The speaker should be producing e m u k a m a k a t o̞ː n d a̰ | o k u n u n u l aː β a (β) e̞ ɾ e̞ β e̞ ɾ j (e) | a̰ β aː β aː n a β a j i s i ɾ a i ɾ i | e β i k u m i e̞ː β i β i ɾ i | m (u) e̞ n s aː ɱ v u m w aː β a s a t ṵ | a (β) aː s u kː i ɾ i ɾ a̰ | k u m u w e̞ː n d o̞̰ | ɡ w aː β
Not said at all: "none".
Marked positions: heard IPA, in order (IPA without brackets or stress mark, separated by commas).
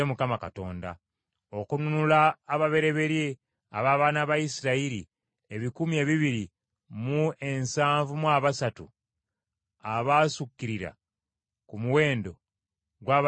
β, e, u, β